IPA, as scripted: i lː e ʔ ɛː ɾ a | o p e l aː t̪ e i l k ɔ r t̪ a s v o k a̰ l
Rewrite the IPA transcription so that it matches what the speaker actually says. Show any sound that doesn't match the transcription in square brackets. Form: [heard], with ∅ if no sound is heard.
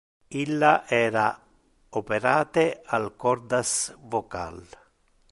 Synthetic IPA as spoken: i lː [a] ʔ ɛː ɾ a | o p e [ɾ] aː t̪ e [a] l k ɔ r [d̪] a s v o k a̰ l